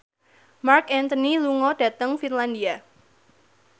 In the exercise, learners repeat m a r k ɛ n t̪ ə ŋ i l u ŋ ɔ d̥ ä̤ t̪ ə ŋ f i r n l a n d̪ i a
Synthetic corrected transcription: m a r k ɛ n t̪ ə n i l u ŋ ɔ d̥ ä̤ t̪ ə ŋ f i n l a n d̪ i a